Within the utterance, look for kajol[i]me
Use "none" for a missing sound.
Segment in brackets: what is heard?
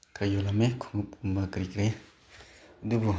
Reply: a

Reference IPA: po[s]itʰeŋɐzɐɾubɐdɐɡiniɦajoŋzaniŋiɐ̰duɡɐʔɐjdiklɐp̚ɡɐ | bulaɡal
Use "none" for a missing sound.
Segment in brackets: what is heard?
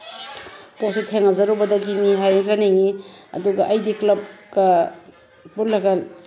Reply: s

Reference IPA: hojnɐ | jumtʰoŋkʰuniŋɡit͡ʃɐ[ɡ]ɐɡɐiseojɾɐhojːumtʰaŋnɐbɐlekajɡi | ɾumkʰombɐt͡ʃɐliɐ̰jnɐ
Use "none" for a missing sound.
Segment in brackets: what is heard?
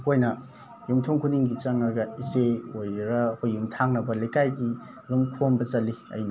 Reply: ŋ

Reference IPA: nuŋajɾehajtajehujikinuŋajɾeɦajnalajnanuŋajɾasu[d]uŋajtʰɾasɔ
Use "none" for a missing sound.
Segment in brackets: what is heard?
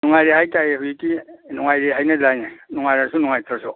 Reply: n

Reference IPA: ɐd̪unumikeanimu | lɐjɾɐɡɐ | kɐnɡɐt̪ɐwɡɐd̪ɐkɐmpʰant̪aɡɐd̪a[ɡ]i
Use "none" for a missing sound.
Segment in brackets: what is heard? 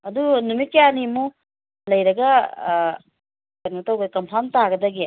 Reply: ɡ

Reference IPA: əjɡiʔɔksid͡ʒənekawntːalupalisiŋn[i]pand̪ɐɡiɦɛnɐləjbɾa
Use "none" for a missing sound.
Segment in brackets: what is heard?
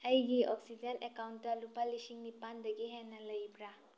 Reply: i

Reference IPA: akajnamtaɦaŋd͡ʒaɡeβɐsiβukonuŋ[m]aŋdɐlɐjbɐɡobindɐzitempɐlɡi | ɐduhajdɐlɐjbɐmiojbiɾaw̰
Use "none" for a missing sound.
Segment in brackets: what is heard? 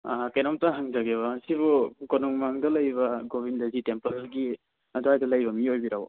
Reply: m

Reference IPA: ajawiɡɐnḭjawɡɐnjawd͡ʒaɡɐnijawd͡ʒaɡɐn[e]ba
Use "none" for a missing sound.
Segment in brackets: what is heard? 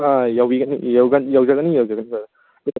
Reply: i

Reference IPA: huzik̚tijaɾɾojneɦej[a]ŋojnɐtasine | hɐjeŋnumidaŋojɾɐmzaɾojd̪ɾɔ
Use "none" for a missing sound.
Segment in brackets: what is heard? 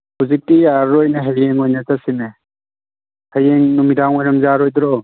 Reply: e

